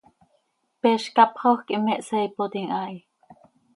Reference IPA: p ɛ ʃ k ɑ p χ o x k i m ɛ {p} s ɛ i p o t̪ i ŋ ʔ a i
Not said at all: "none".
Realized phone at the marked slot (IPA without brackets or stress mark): ʔ